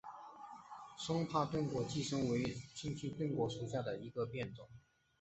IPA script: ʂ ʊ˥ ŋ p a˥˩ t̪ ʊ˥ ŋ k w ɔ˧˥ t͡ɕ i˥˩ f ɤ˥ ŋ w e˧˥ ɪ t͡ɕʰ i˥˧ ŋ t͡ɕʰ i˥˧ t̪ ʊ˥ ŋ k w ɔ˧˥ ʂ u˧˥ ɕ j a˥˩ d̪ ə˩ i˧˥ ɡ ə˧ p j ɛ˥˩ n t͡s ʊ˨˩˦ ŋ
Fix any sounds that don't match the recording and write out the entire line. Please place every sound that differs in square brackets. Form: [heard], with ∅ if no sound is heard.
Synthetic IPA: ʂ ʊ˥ ŋ [pʰ] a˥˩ t̪ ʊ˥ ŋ k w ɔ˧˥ t͡ɕ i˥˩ [ʂ] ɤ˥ ŋ w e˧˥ ɪ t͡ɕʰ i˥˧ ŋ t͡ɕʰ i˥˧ t̪ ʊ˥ ŋ k w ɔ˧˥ ʂ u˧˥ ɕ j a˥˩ d̪ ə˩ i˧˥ ɡ ə˧ p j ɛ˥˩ n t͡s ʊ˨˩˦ ŋ